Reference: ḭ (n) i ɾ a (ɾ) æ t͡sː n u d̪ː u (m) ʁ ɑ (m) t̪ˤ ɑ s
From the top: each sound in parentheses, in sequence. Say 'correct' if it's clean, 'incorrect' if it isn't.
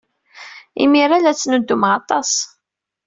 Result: incorrect: m, incorrect: l, correct, incorrect: none

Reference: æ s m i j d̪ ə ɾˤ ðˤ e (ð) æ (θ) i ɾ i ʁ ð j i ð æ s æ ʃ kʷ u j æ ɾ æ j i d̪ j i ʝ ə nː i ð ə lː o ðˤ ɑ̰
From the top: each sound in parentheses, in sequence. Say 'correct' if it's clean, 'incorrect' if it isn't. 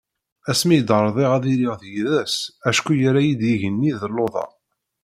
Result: incorrect: ʁ, incorrect: ð

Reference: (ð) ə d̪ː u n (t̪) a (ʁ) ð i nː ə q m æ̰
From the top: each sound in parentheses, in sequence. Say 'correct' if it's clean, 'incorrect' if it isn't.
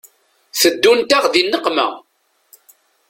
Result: incorrect: θ, correct, correct

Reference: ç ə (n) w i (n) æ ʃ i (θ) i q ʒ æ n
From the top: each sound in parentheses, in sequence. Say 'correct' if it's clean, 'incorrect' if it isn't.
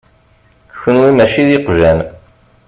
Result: correct, incorrect: m, incorrect: ð

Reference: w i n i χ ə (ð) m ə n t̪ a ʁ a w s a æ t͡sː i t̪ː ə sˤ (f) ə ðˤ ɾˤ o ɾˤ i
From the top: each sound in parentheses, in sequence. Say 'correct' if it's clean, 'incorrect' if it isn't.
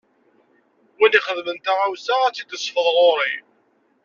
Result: correct, correct

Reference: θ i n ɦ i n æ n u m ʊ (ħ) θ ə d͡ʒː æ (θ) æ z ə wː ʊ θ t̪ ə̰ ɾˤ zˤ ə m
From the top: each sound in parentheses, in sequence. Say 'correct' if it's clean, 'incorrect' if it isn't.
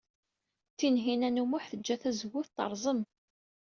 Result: correct, correct

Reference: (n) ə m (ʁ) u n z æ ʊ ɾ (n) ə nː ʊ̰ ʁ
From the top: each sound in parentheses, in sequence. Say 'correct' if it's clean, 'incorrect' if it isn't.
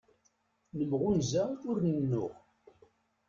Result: correct, correct, correct

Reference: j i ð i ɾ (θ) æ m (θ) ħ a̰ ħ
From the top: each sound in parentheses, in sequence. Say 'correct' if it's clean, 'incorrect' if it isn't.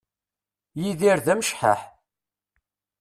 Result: incorrect: ð, incorrect: ʃ

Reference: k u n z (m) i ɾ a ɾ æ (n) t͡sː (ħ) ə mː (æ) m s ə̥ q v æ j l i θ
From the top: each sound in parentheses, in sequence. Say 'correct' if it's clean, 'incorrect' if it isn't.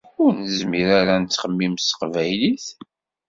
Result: correct, correct, incorrect: χ, incorrect: i

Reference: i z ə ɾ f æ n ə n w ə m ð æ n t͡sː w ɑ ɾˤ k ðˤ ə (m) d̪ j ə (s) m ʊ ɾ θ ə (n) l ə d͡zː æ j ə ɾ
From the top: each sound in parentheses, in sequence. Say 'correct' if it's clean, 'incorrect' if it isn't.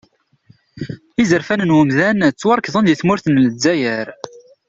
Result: incorrect: n, incorrect: θ, correct

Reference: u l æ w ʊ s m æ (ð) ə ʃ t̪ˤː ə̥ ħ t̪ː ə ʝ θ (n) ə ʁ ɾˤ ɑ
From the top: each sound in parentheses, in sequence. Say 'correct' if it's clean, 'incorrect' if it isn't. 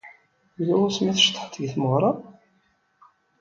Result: incorrect: θ, incorrect: m

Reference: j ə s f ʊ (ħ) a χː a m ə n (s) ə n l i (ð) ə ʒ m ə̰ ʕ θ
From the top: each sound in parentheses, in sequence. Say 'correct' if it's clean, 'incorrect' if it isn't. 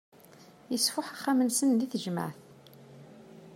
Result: correct, correct, incorrect: θ

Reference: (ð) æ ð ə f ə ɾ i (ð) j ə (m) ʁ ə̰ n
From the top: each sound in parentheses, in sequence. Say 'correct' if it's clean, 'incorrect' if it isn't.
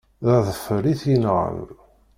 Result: correct, incorrect: θ, incorrect: n

